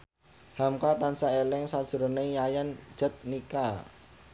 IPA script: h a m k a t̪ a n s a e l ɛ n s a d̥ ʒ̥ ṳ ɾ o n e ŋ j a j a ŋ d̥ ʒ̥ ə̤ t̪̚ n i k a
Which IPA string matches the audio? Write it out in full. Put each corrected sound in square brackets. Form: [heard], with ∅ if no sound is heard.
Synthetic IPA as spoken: h a m k a t̪ a n s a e l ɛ [ŋ] s a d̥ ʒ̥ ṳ ɾ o n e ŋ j a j a [n] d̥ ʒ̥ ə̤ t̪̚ n i k a